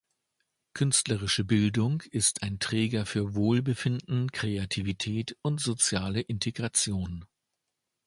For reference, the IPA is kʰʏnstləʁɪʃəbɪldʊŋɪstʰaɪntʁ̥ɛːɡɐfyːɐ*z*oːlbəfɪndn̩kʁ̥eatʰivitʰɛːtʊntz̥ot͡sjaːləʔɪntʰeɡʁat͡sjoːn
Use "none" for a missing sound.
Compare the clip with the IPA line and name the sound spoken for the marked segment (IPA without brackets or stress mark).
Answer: v